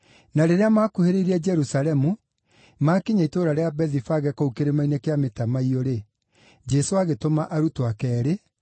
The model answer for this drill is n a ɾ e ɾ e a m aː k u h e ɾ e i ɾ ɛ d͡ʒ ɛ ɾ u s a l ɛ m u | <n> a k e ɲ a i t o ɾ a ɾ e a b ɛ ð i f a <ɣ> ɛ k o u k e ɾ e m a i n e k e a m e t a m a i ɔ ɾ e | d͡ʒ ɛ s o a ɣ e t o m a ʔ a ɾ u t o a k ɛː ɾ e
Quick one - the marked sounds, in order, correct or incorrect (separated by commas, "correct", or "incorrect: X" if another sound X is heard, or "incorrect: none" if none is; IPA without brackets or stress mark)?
incorrect: m, correct